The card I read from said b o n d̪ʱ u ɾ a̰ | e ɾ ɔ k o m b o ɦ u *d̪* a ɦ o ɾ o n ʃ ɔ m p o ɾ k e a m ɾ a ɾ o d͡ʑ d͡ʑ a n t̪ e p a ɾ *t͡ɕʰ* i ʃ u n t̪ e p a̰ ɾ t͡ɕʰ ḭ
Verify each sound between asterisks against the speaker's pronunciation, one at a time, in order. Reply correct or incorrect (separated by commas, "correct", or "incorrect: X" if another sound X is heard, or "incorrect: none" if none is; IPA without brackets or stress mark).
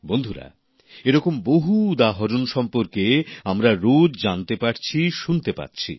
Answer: correct, correct